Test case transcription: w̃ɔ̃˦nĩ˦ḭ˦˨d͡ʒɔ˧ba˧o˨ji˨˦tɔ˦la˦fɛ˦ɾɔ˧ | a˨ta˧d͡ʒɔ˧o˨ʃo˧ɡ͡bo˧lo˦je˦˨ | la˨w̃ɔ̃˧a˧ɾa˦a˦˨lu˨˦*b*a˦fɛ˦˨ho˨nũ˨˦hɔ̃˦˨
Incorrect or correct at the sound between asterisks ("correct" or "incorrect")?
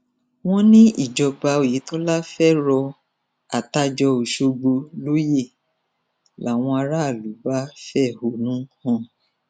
correct